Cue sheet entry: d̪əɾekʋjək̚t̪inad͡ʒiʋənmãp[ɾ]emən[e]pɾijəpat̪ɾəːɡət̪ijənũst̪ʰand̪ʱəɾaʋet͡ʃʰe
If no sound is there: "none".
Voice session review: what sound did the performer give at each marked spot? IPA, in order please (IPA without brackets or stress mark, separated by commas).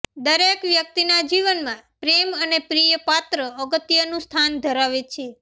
ɾ, e